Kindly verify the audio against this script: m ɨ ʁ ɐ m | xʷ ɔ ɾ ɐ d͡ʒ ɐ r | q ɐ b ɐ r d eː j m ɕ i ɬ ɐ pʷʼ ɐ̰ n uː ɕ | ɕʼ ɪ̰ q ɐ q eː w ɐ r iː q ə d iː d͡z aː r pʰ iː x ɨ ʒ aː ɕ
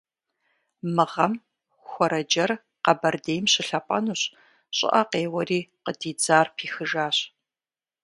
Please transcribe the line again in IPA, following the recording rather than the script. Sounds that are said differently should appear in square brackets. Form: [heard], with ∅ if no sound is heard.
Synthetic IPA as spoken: m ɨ ʁ ɐ m | xʷ ɔ ɾ ɐ d͡ʒ ɐ r | q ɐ b ɐ r d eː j m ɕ [ɪ] ɬ ɐ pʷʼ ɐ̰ n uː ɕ | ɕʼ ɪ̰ [ʔ] ɐ q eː w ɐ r iː q ə d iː d͡z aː r pʰ iː x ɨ ʒ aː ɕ